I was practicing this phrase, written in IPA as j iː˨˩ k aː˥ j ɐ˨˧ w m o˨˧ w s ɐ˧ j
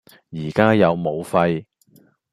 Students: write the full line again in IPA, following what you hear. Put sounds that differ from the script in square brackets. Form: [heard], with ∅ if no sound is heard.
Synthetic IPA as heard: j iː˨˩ k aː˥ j ɐ˨˧ w m o˨˧ w [f] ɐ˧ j